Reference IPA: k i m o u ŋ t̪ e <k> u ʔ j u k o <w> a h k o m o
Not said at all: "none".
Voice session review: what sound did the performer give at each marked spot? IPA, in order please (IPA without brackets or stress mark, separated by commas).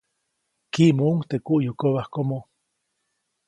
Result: k, β